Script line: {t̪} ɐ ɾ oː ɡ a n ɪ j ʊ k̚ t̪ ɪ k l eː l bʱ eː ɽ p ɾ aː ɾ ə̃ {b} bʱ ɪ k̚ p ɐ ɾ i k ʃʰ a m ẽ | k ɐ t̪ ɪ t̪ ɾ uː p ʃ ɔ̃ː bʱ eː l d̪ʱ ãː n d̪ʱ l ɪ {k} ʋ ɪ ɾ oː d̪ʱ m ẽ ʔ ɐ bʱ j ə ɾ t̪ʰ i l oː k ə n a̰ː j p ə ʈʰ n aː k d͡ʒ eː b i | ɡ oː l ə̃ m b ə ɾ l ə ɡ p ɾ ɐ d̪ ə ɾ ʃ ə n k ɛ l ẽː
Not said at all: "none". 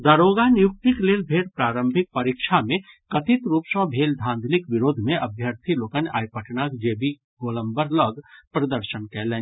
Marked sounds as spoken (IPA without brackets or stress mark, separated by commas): d̪, m, k